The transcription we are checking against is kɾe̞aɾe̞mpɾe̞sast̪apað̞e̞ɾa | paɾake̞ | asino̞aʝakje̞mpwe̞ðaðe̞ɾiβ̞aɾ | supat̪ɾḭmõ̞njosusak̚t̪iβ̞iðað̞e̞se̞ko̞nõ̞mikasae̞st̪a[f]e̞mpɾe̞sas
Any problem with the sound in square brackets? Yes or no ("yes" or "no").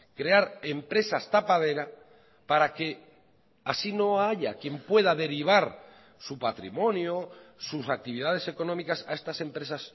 yes